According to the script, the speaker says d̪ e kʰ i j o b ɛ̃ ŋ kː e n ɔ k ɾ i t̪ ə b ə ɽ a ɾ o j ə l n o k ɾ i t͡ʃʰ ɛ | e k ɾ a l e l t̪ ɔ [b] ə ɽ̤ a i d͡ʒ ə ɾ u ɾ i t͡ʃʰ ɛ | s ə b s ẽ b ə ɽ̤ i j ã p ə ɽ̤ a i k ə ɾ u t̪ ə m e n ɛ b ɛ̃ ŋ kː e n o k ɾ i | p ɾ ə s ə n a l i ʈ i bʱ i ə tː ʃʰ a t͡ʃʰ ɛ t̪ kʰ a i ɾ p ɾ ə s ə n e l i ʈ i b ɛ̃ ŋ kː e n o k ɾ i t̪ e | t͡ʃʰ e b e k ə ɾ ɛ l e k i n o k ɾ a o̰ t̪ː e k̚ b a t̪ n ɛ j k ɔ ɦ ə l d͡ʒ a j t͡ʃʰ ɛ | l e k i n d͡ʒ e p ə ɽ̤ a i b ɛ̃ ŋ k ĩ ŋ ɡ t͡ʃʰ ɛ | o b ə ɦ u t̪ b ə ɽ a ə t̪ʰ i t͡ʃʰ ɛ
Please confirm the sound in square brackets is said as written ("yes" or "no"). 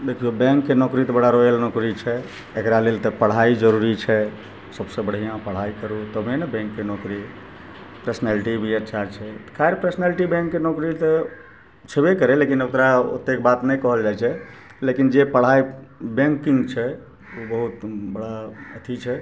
no